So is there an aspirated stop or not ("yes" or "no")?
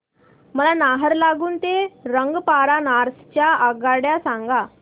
no